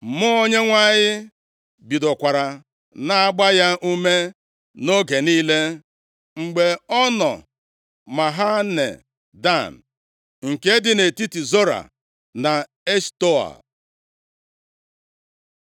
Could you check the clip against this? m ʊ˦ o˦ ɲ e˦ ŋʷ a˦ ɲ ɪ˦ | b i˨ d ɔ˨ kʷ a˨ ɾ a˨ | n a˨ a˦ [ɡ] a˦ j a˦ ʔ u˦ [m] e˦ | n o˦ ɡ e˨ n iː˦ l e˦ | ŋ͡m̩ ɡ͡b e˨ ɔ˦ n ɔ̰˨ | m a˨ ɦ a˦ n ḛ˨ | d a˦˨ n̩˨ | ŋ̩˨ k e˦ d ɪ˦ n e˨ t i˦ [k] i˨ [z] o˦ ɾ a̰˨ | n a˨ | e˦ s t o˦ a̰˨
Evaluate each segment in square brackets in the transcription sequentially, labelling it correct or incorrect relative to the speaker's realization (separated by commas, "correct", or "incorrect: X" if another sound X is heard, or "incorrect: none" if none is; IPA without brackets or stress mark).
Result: incorrect: ɡ͡b, correct, incorrect: t, correct